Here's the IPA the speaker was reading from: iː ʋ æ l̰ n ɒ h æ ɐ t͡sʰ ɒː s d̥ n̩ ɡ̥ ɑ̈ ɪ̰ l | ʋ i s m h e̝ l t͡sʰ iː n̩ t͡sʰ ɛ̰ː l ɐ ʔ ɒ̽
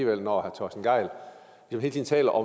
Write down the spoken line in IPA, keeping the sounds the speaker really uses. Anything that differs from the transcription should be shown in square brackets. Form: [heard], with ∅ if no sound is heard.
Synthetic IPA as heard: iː ʋ [e] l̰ n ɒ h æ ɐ t͡sʰ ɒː s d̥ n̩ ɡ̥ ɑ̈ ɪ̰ l | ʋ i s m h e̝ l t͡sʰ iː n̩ t͡sʰ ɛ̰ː l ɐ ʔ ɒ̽